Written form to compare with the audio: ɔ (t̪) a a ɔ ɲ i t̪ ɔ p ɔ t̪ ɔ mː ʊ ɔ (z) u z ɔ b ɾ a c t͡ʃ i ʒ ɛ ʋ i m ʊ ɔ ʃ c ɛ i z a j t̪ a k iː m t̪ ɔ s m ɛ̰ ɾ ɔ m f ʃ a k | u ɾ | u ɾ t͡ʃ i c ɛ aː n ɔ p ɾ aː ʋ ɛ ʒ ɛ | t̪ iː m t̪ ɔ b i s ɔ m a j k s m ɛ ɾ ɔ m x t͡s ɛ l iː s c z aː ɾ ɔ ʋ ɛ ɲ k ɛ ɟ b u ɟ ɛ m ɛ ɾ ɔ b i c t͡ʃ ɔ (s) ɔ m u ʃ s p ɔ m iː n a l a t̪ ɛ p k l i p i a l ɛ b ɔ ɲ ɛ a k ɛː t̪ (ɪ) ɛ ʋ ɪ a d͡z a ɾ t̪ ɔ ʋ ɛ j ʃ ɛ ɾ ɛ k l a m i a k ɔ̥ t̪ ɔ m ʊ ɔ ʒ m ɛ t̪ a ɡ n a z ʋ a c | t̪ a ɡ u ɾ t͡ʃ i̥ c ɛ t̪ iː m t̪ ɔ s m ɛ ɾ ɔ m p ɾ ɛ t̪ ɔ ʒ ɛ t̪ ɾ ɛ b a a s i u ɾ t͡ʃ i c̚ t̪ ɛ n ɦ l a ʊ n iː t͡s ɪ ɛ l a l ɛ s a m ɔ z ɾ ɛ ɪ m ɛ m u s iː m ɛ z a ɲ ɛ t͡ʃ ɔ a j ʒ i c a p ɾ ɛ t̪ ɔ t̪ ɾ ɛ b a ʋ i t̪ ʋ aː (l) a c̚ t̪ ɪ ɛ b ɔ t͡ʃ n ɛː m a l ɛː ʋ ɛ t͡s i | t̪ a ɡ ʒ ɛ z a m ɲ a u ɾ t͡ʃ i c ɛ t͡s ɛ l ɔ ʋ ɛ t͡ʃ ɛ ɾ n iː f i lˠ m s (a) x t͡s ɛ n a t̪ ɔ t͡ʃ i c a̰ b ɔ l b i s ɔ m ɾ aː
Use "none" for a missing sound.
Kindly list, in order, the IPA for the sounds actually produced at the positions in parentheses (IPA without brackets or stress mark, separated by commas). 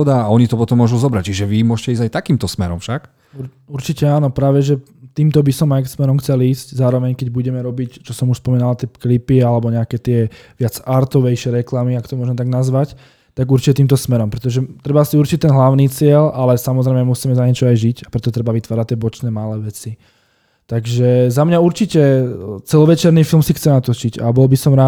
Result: d̪, ʒ, s, ɪ, ɾ, i